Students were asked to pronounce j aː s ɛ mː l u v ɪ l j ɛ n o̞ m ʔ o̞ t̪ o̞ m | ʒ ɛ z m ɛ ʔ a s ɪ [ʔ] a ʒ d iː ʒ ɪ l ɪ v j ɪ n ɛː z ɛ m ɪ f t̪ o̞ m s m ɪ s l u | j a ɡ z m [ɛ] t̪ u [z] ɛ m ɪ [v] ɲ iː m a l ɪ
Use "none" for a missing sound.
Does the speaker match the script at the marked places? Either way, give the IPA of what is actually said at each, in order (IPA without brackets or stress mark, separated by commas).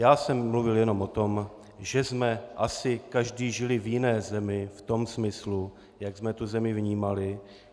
k, ɛ, z, v